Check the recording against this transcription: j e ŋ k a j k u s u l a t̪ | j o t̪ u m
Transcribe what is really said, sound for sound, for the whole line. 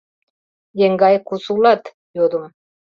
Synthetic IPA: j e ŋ ɡ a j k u s u l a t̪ | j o d̪ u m